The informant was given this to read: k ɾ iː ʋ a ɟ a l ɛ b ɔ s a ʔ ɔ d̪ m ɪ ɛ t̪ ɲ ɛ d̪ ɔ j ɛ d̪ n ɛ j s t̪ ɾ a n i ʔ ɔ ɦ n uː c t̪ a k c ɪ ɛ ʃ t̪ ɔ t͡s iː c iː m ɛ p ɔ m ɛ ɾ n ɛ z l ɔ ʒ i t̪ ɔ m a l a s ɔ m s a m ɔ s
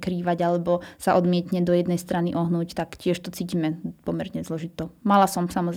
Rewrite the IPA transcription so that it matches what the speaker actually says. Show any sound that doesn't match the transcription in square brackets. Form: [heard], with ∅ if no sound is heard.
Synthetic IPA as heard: k ɾ iː ʋ a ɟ a l ɛ b ɔ s a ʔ ɔ d̪ m ɪ ɛ t̪ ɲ ɛ d̪ ɔ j ɛ d̪ n ɛ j s t̪ ɾ a n i ʔ ɔ ɦ n uː c t̪ a k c ɪ ɛ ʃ t̪ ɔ t͡s iː c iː m ɛ p ɔ m ɛ ɾ [ɲ] ɛ z l ɔ ʒ i t̪ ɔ m a l a s ɔ m s a m ɔ [z]